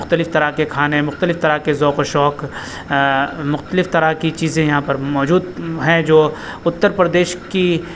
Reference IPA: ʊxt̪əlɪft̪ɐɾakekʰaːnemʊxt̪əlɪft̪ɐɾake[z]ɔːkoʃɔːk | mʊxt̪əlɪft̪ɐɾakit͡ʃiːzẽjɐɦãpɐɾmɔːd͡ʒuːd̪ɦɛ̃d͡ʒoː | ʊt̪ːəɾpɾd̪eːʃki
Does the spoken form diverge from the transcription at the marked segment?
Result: no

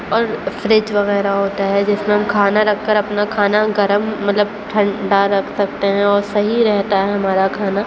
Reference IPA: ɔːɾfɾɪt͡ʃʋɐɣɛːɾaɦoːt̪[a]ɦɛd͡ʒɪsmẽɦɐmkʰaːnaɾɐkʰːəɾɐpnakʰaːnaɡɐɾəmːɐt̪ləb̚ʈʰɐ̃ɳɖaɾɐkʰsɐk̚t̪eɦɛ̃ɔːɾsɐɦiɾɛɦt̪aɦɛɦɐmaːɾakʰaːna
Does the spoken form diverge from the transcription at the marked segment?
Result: no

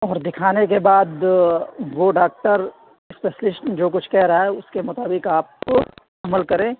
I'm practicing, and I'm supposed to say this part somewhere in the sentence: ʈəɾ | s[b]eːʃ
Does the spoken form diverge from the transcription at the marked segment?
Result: yes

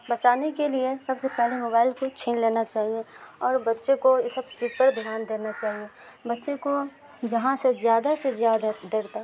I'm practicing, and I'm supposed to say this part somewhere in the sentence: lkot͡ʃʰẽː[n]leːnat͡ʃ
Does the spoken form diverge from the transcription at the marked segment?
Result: no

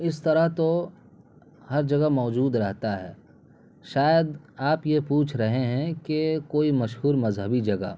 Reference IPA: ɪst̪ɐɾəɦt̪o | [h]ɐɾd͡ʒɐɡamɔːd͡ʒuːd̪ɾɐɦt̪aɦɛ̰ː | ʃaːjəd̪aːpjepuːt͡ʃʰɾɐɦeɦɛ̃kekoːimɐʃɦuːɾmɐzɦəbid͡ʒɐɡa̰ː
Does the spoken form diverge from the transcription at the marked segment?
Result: no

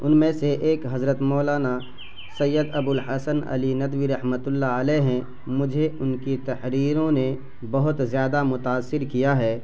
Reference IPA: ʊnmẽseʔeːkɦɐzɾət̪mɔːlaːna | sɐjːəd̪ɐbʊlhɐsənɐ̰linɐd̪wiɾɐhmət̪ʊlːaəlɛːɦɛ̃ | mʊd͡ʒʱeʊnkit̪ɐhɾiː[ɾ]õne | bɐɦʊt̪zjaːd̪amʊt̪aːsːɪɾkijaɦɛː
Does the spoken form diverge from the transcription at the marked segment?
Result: no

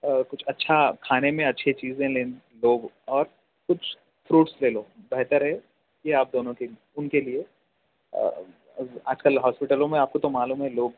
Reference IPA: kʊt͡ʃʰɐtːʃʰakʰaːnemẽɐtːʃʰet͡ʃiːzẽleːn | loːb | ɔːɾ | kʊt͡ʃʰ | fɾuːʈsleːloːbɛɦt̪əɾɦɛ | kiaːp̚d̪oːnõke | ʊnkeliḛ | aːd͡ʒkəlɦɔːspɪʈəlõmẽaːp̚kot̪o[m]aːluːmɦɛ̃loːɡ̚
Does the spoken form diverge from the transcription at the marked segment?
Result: no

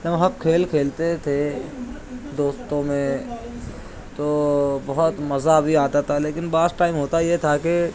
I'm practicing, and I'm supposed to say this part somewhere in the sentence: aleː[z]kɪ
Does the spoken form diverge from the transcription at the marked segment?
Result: yes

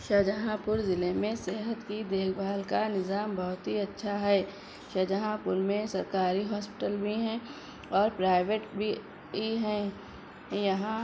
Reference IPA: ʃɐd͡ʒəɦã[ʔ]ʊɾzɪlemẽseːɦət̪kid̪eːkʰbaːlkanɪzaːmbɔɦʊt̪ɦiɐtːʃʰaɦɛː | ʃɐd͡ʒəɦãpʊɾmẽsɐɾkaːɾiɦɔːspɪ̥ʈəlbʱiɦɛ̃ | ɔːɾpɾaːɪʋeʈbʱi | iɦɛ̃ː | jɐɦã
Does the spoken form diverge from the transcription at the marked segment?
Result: yes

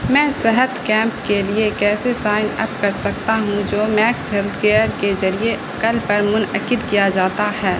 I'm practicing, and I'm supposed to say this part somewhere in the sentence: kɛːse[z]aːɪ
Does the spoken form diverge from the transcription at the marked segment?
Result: yes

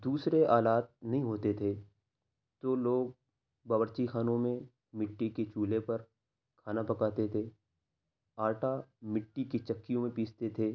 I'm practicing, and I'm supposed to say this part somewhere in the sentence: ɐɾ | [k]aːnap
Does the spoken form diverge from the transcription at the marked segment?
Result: yes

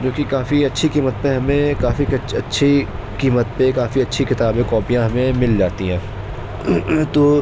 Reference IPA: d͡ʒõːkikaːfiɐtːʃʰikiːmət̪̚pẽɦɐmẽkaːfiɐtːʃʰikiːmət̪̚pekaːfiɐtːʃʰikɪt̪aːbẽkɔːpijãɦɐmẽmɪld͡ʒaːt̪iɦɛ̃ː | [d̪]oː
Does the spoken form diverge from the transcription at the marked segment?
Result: yes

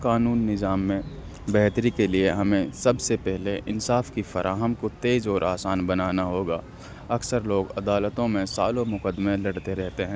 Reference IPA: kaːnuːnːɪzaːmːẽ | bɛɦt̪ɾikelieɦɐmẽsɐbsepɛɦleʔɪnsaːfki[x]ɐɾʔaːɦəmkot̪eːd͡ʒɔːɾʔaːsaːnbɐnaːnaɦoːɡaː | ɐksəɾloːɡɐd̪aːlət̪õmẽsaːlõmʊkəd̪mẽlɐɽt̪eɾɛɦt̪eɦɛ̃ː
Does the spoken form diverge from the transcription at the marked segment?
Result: yes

